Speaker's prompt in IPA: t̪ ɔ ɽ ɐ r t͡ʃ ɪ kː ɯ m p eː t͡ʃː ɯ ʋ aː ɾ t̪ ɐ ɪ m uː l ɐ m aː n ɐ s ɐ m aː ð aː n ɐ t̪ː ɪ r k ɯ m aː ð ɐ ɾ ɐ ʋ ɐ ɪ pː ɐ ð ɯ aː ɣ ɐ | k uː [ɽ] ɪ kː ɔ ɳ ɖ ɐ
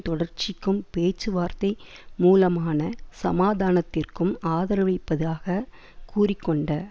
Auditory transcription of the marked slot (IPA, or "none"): r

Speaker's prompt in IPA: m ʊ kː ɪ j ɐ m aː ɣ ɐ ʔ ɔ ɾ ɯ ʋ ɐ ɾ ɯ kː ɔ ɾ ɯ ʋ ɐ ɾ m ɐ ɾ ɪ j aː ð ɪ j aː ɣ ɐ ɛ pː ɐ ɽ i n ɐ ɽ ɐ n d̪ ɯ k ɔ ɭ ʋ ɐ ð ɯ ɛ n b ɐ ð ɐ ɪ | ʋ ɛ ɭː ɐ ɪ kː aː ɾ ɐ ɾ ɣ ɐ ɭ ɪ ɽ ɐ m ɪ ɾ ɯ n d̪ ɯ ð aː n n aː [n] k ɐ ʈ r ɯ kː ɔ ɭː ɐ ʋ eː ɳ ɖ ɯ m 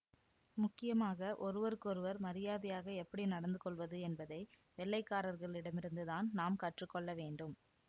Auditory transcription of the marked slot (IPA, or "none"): m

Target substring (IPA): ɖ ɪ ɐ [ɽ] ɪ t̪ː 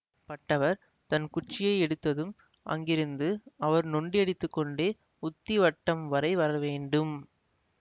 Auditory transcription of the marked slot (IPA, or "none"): ɽ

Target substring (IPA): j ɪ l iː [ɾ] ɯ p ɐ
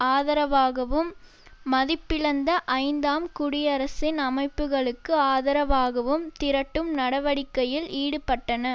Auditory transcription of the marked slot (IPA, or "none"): ɽ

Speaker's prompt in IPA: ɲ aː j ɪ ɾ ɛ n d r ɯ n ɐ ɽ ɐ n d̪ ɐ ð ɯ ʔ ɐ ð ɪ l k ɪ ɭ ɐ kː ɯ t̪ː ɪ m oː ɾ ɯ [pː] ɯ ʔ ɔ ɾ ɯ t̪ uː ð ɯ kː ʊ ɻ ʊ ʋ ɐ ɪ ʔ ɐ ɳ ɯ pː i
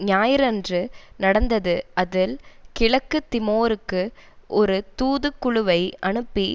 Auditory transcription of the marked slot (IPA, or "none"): kː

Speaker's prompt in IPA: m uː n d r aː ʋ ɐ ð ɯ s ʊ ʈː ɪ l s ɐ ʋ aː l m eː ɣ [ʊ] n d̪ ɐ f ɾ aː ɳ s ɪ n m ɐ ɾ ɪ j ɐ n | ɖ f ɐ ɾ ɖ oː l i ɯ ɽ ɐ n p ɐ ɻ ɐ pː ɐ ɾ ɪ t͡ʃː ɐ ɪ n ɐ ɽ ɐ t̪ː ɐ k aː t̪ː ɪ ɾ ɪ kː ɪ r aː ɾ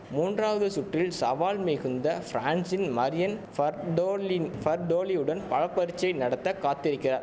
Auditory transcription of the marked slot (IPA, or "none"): ɯ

